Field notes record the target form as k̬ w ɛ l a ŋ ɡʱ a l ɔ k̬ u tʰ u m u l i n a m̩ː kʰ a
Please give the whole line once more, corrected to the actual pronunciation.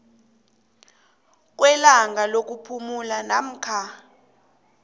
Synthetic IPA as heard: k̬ w ɛ l a ŋ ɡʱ a l o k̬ u pʰ u m u l a n a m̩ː kʰ a